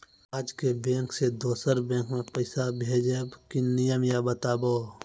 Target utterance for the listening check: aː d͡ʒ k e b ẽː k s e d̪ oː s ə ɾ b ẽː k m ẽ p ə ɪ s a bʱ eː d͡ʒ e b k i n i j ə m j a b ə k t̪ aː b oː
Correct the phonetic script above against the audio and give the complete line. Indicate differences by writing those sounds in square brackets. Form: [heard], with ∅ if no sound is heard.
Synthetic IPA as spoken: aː d͡ʒ k e b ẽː k s e d̪ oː s ə ɾ b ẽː k m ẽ p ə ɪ s a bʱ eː d͡ʒ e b k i n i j ə m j a b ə [∅] t̪ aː b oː